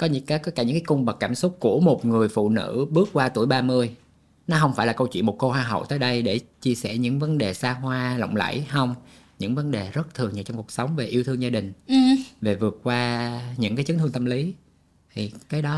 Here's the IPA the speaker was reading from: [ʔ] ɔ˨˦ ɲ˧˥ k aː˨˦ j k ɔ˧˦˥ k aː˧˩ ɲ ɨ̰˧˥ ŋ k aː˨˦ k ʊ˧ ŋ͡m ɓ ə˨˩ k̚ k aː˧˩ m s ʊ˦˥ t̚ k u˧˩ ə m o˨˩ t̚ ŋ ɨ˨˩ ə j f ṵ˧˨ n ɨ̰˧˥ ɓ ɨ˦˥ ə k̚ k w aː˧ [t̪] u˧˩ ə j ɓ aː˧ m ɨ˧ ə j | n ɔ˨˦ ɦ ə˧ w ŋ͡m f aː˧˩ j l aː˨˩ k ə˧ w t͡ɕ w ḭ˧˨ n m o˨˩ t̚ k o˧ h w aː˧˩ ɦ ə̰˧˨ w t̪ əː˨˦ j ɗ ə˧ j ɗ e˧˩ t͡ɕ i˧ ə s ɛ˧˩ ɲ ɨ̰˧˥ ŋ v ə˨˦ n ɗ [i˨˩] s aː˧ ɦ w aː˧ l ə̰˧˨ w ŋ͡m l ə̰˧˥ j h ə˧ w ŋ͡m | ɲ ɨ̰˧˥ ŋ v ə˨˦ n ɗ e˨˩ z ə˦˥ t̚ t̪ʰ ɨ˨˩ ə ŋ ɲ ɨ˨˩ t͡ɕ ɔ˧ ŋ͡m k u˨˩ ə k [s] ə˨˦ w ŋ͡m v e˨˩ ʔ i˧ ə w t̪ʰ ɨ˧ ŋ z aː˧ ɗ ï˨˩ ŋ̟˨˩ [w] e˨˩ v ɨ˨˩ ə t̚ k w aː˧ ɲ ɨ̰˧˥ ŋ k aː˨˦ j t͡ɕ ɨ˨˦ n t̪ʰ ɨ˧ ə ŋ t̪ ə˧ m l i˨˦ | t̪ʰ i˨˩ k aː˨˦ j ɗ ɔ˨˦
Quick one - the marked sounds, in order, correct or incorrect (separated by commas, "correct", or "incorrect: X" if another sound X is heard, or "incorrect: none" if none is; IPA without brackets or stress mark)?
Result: incorrect: k, correct, incorrect: e˨˩, correct, incorrect: v